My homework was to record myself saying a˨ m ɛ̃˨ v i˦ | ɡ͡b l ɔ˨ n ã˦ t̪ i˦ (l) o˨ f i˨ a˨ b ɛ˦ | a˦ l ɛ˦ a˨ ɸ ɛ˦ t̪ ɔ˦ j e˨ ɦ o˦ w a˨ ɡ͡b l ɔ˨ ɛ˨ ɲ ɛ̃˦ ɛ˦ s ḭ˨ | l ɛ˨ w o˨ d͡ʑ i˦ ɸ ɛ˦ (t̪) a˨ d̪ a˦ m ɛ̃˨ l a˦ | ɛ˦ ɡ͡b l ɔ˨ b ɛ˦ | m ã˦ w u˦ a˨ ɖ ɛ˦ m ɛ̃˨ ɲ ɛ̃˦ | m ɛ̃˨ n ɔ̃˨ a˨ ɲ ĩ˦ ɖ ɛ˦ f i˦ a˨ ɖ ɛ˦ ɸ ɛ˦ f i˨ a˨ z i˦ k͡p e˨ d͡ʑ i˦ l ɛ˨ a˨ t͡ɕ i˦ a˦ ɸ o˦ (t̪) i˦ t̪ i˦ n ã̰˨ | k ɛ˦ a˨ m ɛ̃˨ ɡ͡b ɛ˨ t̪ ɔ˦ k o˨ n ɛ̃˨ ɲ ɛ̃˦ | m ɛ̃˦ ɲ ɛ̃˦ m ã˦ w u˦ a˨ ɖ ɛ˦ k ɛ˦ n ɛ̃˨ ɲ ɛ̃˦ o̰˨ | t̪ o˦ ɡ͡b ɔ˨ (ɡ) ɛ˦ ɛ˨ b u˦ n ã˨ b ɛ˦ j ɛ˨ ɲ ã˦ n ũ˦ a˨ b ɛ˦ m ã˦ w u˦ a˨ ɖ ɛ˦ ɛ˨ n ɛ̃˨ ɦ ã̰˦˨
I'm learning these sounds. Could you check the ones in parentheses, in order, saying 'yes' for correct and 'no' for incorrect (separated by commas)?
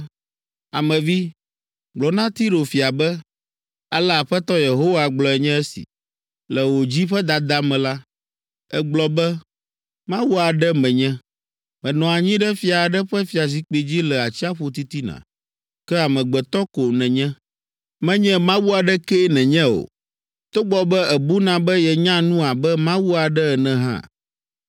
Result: no, no, yes, no